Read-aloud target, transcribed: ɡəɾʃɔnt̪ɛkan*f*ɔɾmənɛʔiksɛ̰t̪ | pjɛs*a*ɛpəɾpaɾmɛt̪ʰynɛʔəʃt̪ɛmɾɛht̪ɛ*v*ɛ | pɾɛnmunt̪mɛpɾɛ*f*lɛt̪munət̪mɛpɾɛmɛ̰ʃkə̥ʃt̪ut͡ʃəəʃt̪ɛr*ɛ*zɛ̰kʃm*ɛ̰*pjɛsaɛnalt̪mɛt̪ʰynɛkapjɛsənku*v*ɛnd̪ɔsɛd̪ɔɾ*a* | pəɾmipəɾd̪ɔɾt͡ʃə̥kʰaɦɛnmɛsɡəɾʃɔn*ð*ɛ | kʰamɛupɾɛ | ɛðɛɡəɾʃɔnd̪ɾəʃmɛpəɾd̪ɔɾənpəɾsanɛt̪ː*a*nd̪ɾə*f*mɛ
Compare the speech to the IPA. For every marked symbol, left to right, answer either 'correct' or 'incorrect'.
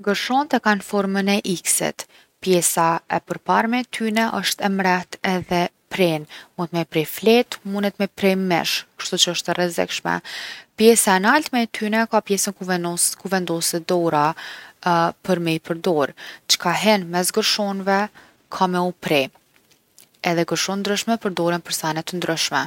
correct, correct, incorrect: ð, correct, correct, correct, correct, correct, incorrect: v, incorrect: ə, incorrect: ʃ

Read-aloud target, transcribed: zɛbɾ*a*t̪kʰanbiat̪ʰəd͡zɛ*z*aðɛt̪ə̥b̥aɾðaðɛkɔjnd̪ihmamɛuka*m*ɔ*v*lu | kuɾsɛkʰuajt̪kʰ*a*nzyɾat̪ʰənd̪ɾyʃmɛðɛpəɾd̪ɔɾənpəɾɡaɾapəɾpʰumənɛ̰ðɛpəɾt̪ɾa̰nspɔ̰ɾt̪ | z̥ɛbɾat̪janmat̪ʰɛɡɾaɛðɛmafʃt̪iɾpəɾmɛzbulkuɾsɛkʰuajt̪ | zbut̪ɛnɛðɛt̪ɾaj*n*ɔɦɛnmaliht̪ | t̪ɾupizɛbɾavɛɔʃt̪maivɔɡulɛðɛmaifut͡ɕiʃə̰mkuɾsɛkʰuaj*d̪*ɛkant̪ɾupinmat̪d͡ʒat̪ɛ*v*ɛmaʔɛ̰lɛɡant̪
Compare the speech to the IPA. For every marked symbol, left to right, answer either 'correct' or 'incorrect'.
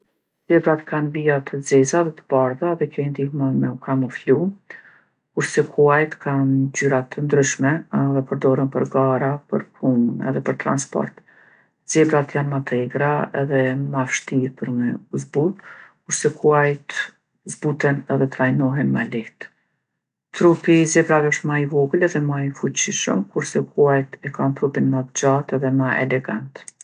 correct, correct, correct, incorrect: f, correct, correct, incorrect: t̪, incorrect: ð

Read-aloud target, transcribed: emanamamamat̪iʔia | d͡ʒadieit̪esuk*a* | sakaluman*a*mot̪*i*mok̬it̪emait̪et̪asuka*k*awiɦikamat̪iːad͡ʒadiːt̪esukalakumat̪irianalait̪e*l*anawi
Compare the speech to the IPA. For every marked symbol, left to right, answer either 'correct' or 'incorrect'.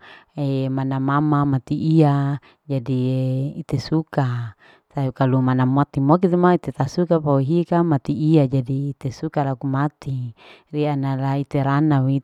correct, correct, correct, incorrect: p, incorrect: ɾ

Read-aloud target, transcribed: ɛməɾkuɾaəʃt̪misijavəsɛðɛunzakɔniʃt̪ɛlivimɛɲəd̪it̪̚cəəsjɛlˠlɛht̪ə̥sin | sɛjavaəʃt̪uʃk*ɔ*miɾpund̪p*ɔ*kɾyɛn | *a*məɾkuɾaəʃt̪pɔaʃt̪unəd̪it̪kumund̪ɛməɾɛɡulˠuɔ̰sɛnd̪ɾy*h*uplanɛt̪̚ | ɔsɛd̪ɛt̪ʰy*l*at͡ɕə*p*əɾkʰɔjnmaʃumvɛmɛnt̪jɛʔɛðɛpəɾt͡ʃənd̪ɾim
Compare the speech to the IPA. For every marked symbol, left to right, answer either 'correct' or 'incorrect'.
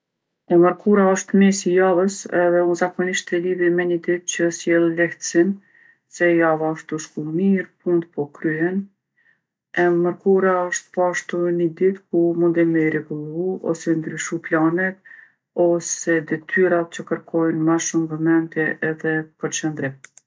incorrect: u, correct, incorrect: ɛ, incorrect: ʃ, incorrect: ɾ, incorrect: k

